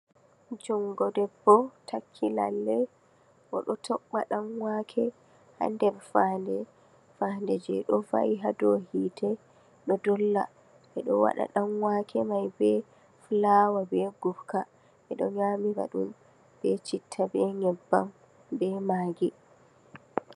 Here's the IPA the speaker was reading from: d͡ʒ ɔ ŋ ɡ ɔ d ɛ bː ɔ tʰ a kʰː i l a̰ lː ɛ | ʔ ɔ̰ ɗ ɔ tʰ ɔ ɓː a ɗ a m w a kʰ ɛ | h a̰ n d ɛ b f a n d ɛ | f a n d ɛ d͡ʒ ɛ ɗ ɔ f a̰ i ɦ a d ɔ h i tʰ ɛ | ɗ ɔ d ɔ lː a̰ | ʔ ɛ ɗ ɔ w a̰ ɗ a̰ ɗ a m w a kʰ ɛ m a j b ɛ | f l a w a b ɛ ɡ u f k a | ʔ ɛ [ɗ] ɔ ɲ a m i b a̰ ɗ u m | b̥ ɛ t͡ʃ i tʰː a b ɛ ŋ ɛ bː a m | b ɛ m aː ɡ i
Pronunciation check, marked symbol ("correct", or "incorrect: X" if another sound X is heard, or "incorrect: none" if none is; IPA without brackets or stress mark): correct